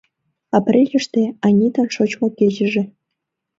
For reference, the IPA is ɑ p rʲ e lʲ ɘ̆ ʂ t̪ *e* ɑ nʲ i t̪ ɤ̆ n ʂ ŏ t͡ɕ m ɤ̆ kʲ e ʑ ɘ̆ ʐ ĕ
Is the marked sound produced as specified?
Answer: yes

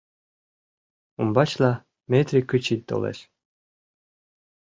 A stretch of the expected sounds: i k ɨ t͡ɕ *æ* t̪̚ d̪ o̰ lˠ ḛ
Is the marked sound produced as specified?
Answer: no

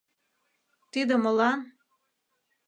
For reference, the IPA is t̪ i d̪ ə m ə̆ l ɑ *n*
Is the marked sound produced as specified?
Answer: yes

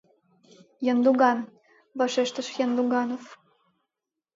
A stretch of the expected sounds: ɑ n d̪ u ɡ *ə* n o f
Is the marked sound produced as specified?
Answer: no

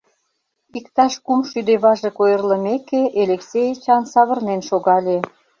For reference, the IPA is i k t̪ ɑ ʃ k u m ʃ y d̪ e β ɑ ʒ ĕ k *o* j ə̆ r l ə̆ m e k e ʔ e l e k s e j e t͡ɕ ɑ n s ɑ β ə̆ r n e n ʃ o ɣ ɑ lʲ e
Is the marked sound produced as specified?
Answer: yes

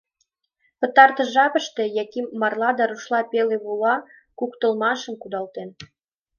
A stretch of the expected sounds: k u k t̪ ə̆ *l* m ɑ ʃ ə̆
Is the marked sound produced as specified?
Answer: yes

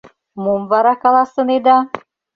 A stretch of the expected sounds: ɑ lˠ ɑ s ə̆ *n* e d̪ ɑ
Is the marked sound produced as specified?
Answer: yes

